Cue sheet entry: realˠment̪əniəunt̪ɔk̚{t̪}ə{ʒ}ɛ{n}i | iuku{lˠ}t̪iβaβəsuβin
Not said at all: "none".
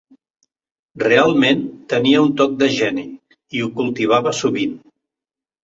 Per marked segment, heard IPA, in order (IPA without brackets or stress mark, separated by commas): d̪, ʒ, n, lˠ